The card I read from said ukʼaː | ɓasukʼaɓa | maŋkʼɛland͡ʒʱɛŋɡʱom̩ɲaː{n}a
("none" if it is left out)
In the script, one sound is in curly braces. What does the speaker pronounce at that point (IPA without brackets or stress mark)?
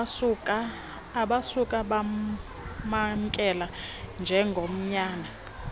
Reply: n